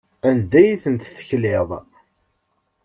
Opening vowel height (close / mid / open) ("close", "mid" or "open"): open